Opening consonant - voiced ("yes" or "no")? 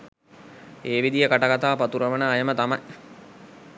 yes